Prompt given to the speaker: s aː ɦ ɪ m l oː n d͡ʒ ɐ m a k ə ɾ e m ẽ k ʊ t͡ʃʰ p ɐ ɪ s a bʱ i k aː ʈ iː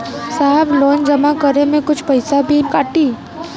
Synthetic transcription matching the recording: s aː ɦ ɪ b l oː n d͡ʒ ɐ m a k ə ɾ e m ẽ k ʊ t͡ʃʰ p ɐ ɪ s a bʱ i k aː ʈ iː